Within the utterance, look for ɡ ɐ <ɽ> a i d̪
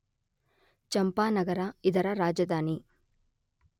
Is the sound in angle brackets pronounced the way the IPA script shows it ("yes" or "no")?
no